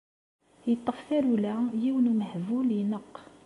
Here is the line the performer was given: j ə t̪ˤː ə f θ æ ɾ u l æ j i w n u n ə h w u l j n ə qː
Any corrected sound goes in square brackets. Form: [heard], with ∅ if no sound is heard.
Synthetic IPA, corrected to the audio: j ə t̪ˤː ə f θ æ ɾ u l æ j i w n u [m] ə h [v] u l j n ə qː